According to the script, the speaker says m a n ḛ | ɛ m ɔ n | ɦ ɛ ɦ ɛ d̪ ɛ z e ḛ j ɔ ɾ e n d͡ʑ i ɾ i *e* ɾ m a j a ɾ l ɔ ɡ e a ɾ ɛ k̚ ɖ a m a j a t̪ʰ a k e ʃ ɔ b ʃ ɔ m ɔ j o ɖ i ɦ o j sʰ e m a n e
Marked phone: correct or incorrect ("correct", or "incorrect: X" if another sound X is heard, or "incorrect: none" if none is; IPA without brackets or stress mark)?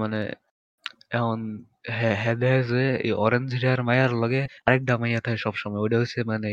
incorrect: a